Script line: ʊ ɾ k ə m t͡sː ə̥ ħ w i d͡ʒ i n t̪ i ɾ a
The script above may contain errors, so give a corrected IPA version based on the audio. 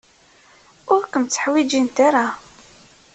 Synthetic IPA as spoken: ʊ ɾ k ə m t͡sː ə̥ ħ w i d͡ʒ i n t̪ a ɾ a